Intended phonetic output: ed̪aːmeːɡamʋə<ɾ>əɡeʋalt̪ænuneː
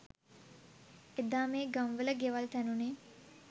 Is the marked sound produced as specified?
no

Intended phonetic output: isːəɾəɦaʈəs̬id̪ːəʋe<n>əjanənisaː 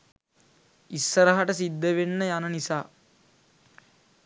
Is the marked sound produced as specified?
no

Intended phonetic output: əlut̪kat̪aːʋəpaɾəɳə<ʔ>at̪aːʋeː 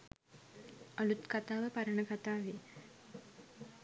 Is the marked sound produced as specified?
no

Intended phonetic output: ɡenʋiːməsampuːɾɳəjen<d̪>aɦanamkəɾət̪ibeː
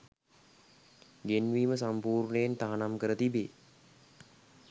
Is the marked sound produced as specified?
no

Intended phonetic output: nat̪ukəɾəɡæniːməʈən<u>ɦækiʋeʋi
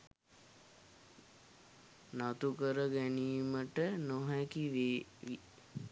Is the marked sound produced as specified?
no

